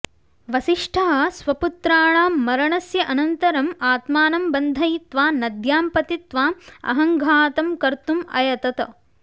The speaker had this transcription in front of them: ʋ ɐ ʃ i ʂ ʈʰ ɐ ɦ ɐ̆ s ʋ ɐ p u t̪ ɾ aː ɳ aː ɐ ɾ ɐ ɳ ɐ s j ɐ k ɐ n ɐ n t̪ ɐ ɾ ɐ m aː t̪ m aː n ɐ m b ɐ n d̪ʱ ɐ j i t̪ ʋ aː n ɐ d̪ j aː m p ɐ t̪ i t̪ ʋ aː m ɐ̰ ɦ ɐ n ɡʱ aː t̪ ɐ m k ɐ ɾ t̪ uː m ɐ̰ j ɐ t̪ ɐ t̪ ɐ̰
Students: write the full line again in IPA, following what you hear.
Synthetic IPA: ʋ ɐ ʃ i ʂ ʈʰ ɐ ɦ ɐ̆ s ʋ ɐ p u t̪ ɾ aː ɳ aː ɐ ɾ ɐ ɳ ɐ s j ɐ ʔ ɐ n ɐ n t̪ ɐ ɾ ɐ m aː t̪ m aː n ɐ m b ɐ n d̪ʱ ɐ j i t̪ ʋ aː n ɐ d̪ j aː m p ɐ t̪ i t̪ ʋ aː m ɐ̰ ɦ ɐ ŋ ɡʱ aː t̪ ɐ m k ɐ ɾ t̪ u m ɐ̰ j ɐ t̪ ɐ t̪ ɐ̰

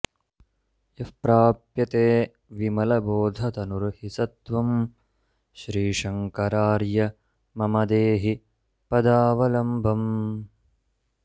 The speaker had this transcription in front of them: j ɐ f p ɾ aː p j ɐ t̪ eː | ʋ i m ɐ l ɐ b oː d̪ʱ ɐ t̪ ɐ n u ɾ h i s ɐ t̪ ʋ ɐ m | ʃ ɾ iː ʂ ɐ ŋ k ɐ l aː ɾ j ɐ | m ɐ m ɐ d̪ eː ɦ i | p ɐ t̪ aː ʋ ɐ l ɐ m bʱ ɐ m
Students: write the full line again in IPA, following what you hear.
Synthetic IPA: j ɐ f p ɾ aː p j ɐ t̪ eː | ʋ i m ɐ l ɐ b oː d̪ʱ ɐ t̪ ɐ n u ɾ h i s ɐ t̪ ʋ ɐ m | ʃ ɾ iː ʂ ɐ ŋ k ɐ ɾ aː ɾ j ɐ | m ɐ m ɐ d̪ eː ɦ i | p ɐ d̪ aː ʋ ɐ l ɐ m bʱ ɐ m

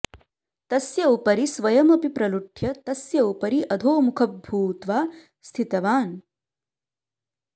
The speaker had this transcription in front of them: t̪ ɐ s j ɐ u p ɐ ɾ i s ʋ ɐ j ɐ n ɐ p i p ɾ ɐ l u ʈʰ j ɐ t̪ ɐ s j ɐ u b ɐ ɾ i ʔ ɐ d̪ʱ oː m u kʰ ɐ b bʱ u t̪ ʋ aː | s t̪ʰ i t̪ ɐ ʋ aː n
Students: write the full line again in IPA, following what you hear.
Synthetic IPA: t̪ ɐ s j ɐ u p ɐ ɾ i s ʋ ɐ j ɐ m ɐ p i p ɾ ɐ l u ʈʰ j ɐ t̪ ɐ s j ɐ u p ɐ ɾ i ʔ ɐ d̪ʱ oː m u kʰ ɐ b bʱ uː t̪ ʋ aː | s t̪ʰ i t̪ ɐ ʋ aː n

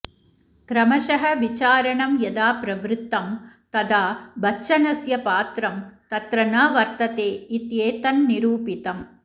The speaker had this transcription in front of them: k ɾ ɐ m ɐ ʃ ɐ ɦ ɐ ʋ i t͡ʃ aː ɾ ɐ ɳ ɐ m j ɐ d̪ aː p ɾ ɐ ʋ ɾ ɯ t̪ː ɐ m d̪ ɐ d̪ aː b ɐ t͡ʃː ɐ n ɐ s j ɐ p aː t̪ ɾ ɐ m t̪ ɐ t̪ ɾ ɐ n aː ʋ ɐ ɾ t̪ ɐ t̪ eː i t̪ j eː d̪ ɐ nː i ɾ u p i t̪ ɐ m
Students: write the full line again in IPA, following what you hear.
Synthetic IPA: k ɾ ɐ m ɐ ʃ ɐ ɦ ɐ ʋ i t͡ʃ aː ɾ ɐ ɳ ɐ m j ɐ d̪ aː p ɾ ɐ ʋ ɾ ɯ t̪ː ɐ m t̪ ɐ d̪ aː b ɐ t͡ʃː ɐ n ɐ s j ɐ p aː t̪ ɾ ɐ m t̪ ɐ t̪ ɾ ɐ n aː ʋ ɐ ɾ t̪ ɐ t̪ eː i t̪ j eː t̪ ɐ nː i ɾ uː p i t̪ ɐ m

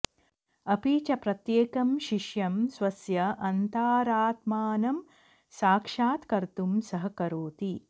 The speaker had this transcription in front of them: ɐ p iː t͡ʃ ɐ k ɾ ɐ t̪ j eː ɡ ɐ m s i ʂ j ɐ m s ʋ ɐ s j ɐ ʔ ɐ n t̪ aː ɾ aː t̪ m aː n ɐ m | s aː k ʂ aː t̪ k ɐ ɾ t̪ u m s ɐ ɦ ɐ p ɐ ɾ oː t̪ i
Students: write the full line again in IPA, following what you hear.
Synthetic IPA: ɐ p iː t͡ʃ ɐ p ɾ ɐ t̪ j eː k ɐ m ʃ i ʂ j ɐ m s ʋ ɐ s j ɐ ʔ ɐ n t̪ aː ɾ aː t̪ m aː n ɐ m | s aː k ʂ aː t̪ k ɐ ɾ t̪ u m s ɐ ɦ ɐ k ɐ ɾ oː t̪ i

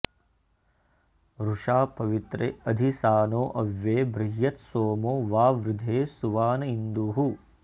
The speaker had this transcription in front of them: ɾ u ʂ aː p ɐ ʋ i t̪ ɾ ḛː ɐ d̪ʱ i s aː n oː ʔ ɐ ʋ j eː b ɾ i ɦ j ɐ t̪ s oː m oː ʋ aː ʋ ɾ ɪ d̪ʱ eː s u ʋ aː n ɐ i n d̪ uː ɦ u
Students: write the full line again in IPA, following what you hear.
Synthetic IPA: ɾ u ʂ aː p ɐ ʋ i t̪ ɾ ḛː ɐ d̪ʱ i s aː n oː ʔ ɐ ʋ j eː b ɾ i ɦ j ɐ t̪ s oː m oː ʋ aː ʋ ɾ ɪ d̪ʱ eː s u ʋ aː n ɐ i n d̪ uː ɦ u

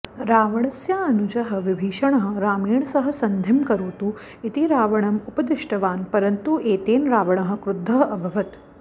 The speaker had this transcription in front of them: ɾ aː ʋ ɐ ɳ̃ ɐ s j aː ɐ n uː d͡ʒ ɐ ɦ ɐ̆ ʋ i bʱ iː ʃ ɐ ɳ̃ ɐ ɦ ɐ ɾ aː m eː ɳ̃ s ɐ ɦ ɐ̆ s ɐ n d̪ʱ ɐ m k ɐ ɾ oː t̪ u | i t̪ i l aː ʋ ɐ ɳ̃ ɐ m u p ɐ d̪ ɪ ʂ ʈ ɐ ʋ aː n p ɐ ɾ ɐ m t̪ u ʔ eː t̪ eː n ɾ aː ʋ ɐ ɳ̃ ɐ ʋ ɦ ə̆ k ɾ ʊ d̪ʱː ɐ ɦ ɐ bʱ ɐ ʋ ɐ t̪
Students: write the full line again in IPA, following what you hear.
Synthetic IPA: ɾ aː ʋ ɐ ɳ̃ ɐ s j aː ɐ n u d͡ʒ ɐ ɦ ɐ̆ ʋ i bʱ iː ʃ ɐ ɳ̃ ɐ ɦ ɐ ɾ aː m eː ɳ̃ s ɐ ɦ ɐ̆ s ɐ n d̪ʱ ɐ m k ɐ ɾ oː t̪ u | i t̪ i ɾ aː ʋ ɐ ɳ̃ ɐ m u p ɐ d̪ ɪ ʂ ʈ ɐ ʋ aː n p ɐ ɾ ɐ n t̪ u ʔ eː t̪ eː n ɾ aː ʋ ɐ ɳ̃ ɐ ɦ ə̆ k ɾ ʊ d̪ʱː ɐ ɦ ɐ bʱ ɐ ʋ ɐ t̪

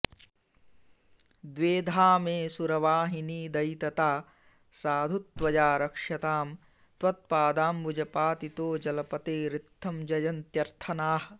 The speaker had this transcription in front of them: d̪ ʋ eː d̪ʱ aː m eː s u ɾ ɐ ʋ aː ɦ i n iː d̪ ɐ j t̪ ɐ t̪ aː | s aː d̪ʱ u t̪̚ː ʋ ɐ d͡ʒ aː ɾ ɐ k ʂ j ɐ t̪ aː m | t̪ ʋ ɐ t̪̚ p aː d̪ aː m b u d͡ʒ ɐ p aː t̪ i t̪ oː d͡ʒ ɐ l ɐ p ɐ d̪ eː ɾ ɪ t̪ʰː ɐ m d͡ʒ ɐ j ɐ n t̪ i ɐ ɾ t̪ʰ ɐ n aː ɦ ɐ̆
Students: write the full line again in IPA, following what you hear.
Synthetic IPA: d̪ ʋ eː d̪ʱ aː m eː s u ɾ ɐ ʋ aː ɦ i n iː d̪ ɐ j t̪ ɐ t̪ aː | s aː d̪ʱ u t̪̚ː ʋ ɐ d͡ʒ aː ɾ ɐ k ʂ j ɐ t̪ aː m | t̪ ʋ ɐ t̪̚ p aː d̪ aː m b u d͡ʒ ɐ p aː t̪ i t̪ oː d͡ʒ ɐ l ɐ p ɐ t̪ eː ɾ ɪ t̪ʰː ɐ m d͡ʒ ɐ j ɐ n t̪ j ɐ ɾ t̪ʰ ɐ n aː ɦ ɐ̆

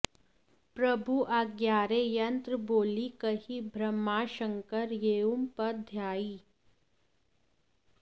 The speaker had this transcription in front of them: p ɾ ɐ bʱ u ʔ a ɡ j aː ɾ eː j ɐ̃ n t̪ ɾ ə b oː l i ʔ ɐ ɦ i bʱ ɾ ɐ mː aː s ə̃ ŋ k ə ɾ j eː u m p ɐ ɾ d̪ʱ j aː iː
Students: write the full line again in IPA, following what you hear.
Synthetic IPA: p ɾ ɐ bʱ u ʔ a ɡ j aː ɾ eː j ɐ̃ n t̪ ɾ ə b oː l i k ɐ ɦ i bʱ ɾ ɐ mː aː ʃ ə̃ ŋ k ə ɾ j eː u m p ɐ ɾ d̪ʱ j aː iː

